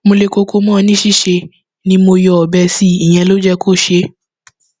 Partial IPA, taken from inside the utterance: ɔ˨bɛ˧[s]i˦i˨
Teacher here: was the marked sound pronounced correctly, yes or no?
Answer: yes